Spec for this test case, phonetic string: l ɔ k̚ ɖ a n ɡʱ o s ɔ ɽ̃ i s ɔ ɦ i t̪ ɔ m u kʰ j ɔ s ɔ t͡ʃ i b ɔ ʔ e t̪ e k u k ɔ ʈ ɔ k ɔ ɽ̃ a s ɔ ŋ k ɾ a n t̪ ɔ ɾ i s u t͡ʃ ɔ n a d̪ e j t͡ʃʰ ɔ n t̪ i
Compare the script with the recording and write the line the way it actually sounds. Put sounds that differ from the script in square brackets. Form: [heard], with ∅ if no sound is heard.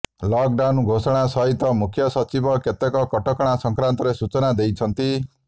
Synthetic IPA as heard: l ɔ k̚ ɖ a n ɡʱ o s ɔ ɽ̃ [a] s ɔ ɦ i t̪ ɔ m u kʰ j ɔ s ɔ t͡ʃ i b ɔ [k] e t̪ e k [ɔ] k ɔ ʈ ɔ k ɔ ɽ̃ a s ɔ ŋ k ɾ a n t̪ ɔ ɾ [e] s u t͡ʃ ɔ n a d̪ e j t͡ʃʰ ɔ n t̪ i